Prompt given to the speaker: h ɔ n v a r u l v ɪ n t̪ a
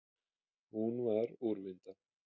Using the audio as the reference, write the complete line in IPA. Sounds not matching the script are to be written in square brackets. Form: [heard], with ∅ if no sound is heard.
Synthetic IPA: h [u] n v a [ɾ] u [ɾ] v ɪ n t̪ a